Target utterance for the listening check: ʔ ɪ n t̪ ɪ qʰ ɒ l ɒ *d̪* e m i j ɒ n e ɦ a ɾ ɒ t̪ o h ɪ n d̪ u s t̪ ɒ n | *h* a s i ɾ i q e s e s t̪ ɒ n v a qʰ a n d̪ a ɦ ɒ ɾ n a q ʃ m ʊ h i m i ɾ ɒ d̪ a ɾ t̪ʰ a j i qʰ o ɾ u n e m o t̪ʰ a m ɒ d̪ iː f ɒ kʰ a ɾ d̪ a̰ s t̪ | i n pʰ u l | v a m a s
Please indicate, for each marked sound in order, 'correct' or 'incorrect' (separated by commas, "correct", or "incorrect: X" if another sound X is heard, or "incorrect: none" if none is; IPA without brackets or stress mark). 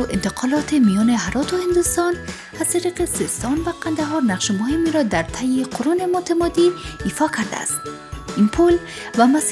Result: incorrect: t̪, correct